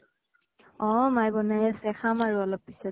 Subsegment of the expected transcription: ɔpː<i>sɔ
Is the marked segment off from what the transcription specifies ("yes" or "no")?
no